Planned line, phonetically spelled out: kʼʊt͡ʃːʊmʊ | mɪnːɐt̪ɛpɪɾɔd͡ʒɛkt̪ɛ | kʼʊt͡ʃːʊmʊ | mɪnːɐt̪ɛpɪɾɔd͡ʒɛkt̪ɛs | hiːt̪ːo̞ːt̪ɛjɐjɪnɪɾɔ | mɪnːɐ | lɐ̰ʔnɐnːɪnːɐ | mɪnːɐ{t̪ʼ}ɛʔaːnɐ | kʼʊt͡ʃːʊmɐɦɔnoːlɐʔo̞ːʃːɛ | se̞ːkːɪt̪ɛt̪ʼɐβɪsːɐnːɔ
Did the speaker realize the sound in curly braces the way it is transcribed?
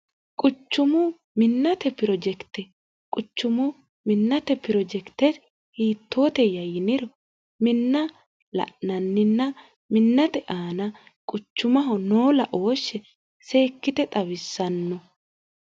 no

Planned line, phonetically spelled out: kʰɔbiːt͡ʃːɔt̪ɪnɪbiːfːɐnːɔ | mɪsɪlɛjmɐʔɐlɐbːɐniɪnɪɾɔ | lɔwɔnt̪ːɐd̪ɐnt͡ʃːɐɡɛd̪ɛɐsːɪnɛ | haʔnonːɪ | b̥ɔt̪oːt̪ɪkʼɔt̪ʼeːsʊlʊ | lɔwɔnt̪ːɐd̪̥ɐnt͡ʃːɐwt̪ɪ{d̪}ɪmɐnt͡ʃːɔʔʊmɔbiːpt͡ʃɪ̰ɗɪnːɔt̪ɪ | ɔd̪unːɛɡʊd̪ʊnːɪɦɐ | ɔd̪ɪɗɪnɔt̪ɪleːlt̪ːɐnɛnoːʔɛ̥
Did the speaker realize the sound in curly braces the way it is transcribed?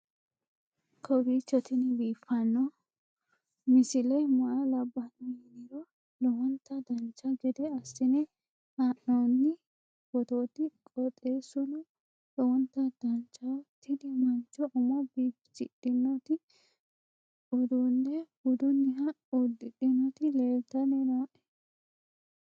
yes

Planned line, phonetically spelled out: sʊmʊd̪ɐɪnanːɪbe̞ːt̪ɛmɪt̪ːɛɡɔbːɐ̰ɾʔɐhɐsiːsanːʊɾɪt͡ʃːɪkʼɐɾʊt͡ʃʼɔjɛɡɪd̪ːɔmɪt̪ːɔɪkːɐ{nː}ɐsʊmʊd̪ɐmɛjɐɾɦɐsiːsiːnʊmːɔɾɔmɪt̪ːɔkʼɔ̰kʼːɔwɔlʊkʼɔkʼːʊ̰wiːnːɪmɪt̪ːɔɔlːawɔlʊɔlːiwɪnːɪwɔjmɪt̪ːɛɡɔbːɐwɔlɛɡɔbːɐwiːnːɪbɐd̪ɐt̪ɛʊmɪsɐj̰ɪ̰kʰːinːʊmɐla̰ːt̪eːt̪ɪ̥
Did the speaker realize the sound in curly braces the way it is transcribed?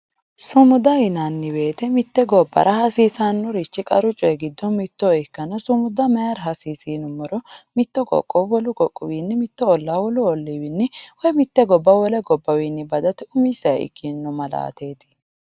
no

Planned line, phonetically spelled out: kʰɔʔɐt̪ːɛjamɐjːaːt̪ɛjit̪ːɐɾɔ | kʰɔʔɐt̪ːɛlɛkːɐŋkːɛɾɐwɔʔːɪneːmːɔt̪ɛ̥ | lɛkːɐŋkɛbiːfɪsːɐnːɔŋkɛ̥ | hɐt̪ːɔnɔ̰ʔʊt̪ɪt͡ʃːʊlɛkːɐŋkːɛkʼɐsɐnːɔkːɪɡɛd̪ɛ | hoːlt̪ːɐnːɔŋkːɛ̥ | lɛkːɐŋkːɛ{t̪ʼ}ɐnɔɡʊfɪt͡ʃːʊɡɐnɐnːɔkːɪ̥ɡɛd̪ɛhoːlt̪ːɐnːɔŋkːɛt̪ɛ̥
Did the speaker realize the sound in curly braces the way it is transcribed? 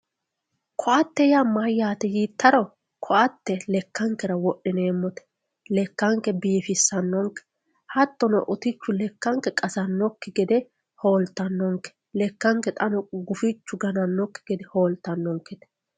yes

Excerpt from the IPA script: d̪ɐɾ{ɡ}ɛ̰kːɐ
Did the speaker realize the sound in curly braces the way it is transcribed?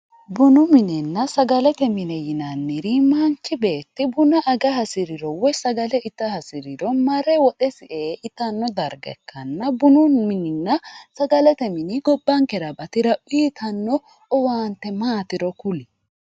yes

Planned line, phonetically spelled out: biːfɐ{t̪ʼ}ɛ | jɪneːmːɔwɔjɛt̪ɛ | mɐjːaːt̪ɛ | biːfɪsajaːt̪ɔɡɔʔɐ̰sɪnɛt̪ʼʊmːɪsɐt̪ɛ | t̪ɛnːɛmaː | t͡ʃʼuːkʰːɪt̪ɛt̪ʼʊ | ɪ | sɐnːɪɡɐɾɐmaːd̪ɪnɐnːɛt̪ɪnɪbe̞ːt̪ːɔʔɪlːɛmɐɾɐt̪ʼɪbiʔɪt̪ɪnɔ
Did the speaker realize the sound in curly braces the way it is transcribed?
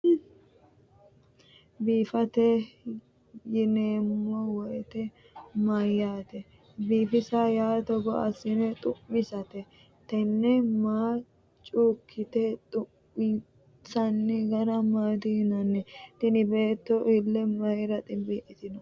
no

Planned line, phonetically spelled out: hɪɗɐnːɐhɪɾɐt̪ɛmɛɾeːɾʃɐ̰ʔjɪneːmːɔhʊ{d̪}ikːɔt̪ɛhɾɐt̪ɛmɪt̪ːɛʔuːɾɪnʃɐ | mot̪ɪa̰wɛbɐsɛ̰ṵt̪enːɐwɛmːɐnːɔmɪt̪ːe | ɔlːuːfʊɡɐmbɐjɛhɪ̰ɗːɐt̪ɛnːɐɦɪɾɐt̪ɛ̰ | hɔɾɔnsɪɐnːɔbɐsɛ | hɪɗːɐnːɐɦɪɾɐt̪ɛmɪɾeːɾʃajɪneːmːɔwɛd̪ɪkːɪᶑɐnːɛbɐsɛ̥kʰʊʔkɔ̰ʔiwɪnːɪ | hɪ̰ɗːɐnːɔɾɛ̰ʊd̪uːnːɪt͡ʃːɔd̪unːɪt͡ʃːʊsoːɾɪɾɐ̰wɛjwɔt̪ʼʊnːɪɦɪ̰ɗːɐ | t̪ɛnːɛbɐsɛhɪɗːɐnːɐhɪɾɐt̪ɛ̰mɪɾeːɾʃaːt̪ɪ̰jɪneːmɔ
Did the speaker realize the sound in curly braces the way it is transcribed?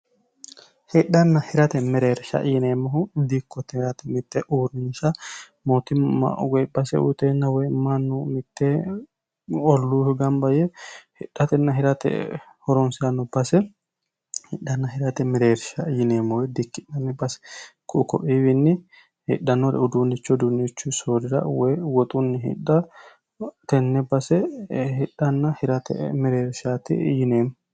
yes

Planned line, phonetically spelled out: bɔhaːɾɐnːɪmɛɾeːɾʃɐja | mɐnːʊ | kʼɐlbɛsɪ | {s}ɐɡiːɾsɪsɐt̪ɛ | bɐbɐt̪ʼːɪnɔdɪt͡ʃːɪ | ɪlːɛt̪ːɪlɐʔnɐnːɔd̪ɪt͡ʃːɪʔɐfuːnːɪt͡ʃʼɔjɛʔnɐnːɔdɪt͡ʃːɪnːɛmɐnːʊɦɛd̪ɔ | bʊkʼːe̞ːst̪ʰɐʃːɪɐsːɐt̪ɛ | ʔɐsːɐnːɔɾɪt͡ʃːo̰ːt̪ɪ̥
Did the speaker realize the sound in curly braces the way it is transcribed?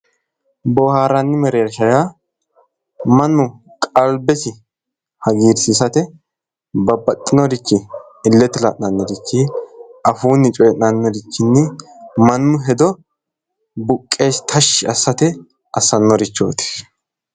no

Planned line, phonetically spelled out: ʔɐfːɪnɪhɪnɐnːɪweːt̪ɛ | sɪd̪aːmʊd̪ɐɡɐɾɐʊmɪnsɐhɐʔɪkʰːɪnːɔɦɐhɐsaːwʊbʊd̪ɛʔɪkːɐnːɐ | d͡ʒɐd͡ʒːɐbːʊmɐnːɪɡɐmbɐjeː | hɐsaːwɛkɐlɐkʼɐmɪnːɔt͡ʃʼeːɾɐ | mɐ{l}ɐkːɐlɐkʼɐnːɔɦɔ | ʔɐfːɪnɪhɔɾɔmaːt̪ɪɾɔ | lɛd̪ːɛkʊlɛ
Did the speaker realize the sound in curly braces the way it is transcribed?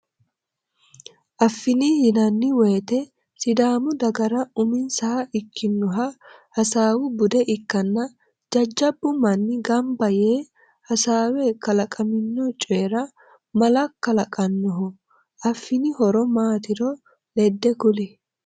yes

